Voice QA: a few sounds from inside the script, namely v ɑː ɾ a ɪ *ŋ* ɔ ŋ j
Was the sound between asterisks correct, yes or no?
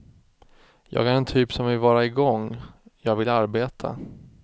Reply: no